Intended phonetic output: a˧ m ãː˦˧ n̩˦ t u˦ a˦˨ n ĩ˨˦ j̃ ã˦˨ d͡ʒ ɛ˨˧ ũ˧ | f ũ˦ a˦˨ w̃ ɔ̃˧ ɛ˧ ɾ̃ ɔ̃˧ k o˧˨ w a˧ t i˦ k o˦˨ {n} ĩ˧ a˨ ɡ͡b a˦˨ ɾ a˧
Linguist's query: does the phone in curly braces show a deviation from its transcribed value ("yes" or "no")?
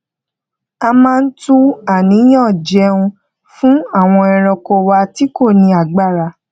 no